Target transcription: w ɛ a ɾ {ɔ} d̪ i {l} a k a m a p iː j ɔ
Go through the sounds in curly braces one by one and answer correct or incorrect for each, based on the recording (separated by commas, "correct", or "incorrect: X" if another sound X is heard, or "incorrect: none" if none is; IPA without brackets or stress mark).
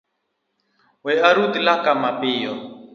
incorrect: u, correct